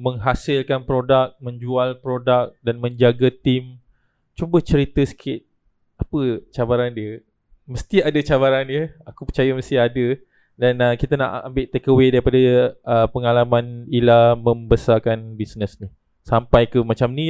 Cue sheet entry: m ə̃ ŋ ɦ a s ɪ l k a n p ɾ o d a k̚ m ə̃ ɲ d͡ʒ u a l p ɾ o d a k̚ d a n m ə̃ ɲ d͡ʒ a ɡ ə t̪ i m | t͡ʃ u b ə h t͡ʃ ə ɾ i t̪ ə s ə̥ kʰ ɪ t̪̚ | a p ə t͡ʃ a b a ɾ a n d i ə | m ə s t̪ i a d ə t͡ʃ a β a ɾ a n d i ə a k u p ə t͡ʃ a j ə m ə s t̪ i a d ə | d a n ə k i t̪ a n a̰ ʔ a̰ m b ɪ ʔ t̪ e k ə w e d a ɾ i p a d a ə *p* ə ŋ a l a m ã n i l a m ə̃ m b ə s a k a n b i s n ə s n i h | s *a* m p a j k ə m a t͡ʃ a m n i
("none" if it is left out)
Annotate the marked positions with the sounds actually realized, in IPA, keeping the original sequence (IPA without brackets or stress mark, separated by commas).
p, a